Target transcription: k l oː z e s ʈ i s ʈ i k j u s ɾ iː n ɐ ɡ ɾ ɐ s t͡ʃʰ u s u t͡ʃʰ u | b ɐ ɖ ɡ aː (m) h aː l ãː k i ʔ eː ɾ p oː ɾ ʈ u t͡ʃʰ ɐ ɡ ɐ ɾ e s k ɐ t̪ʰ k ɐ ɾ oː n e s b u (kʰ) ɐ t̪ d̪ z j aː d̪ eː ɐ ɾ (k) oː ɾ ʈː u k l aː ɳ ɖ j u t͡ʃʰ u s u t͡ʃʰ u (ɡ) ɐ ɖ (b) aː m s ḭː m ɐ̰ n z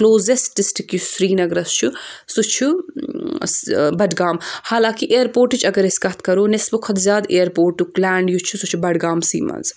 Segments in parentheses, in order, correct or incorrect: correct, correct, incorrect, incorrect, incorrect

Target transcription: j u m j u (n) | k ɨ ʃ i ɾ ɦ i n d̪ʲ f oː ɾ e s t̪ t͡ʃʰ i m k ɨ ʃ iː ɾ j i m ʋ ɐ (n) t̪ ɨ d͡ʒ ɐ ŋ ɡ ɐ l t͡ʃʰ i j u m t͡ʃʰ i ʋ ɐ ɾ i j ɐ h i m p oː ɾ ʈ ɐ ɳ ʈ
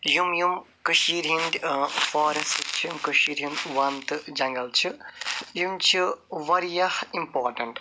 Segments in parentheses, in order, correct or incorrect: incorrect, correct

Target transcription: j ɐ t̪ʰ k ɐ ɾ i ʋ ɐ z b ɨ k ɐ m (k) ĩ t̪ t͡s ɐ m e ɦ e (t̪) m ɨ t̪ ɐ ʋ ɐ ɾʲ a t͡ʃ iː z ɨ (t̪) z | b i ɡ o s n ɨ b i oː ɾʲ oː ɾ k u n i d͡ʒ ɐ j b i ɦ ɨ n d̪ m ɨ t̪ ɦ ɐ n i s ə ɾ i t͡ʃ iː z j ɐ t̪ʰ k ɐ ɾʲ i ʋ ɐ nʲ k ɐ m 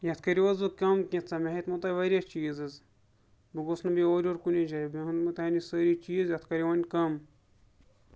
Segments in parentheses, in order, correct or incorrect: correct, correct, incorrect

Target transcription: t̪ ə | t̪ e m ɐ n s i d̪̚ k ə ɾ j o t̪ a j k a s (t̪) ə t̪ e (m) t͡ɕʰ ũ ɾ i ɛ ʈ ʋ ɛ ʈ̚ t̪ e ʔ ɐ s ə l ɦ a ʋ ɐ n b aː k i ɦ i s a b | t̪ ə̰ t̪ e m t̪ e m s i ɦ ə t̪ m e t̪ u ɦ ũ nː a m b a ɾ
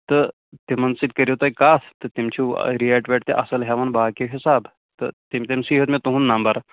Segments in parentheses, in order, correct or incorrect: correct, correct

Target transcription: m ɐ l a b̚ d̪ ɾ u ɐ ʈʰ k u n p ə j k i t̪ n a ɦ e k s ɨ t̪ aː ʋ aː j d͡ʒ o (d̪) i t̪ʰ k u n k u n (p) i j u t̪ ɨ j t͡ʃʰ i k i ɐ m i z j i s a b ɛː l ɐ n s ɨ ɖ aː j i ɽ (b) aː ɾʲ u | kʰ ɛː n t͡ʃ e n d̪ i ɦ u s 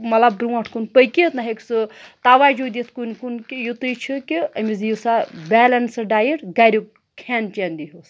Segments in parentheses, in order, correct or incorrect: correct, incorrect, incorrect

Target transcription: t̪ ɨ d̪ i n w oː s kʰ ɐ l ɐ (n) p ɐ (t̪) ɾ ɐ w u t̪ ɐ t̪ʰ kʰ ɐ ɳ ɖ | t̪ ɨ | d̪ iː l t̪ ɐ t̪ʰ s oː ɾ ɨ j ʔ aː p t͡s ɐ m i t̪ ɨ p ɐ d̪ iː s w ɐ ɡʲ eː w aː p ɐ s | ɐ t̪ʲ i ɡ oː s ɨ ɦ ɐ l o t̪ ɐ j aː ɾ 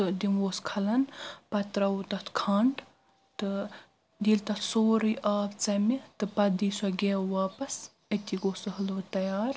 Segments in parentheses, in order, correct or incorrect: correct, correct

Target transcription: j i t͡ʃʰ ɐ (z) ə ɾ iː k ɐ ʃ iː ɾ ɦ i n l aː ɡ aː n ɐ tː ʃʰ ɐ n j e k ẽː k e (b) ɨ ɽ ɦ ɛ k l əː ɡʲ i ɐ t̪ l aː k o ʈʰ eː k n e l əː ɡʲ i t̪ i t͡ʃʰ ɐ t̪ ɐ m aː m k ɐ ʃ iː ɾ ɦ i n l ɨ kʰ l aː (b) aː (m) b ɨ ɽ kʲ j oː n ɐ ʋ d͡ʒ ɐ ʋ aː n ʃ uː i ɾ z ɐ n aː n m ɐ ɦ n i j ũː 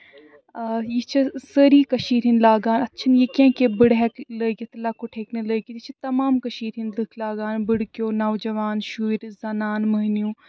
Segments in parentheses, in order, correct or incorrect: incorrect, correct, incorrect, incorrect

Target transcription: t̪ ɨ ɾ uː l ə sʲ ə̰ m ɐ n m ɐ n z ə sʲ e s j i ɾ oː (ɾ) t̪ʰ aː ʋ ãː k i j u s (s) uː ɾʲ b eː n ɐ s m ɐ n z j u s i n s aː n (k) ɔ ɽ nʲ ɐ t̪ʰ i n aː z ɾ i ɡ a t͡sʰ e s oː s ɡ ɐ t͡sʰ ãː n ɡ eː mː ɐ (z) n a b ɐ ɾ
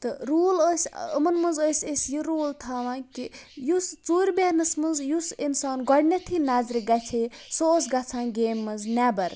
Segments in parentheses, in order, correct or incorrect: incorrect, incorrect, incorrect, correct

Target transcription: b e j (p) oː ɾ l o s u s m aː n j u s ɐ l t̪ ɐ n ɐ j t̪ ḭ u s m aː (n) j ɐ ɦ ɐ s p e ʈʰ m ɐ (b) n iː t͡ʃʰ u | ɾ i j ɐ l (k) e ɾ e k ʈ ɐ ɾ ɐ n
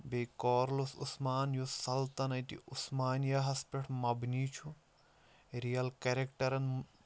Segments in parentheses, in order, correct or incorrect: incorrect, correct, correct, correct

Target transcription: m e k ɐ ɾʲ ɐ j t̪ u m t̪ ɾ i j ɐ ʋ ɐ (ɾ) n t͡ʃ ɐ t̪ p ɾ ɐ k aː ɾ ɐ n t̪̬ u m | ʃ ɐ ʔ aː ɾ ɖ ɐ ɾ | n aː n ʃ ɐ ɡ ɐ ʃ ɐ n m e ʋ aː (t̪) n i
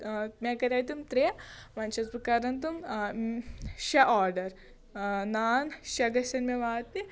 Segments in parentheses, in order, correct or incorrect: incorrect, correct

